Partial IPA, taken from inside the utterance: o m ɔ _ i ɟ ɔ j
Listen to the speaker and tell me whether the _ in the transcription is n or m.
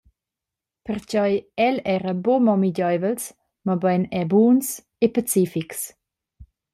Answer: m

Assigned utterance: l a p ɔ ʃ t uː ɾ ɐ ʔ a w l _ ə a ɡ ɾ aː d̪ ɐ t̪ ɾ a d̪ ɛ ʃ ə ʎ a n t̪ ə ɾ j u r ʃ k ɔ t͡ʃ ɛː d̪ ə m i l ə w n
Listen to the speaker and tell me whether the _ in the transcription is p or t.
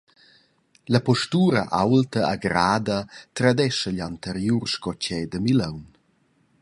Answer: t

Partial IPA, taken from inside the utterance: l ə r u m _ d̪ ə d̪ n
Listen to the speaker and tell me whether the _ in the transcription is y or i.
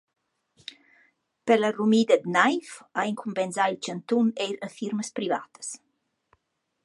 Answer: i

